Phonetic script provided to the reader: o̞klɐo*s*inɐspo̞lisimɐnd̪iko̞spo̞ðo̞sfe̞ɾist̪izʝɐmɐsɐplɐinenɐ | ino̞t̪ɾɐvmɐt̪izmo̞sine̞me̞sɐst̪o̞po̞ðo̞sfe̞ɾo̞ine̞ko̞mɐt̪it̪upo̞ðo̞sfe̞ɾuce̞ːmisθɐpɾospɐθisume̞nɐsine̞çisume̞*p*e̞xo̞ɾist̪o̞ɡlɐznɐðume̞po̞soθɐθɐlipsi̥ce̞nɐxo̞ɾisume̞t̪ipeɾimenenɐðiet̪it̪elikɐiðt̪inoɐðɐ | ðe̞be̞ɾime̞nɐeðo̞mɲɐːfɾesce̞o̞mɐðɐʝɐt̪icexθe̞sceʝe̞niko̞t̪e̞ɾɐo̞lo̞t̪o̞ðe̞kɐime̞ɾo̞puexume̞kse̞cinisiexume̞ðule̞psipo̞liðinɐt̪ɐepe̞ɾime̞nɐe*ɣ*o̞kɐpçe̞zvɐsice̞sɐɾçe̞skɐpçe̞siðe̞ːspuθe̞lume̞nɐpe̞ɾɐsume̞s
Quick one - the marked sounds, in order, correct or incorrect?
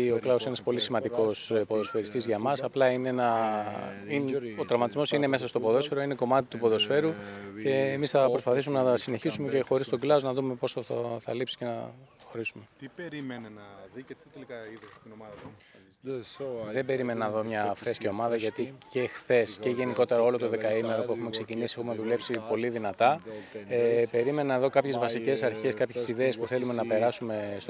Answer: correct, incorrect: c, incorrect: ð

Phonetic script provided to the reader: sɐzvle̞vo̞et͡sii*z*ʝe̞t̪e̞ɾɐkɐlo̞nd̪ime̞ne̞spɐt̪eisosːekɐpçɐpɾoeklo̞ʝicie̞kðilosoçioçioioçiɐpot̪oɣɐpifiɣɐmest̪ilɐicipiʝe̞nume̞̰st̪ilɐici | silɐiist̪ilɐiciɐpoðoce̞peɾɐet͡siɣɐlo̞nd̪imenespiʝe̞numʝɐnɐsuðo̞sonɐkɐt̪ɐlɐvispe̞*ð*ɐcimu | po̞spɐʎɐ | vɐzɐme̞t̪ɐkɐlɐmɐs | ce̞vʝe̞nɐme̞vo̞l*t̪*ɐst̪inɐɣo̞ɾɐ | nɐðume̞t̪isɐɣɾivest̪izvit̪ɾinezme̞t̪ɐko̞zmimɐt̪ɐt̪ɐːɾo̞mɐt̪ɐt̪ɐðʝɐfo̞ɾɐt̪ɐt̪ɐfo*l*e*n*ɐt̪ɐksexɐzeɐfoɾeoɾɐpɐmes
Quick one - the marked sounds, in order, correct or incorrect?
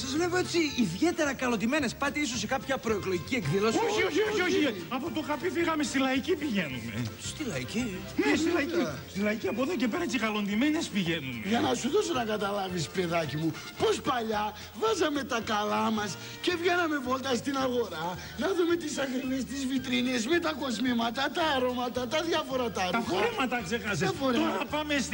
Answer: incorrect: ð, correct, correct, incorrect: ɾ, incorrect: m

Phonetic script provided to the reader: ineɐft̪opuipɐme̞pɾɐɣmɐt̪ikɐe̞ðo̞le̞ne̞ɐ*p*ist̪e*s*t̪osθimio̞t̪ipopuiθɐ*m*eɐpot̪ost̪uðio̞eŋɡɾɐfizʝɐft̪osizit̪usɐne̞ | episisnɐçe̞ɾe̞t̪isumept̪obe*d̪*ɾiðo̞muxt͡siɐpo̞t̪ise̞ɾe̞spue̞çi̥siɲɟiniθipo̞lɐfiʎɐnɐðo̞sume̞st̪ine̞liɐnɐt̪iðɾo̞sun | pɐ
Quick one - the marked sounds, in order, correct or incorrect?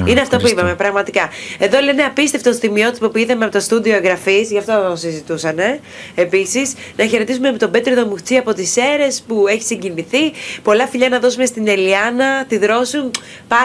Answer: correct, incorrect: f, correct, incorrect: t̪

